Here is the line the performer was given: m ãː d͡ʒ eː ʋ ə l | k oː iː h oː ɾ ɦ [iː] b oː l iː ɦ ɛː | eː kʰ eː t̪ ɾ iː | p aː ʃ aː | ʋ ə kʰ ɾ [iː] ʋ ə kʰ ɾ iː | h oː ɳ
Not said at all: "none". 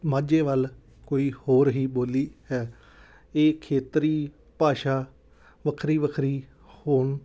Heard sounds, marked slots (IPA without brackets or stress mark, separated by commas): iː, iː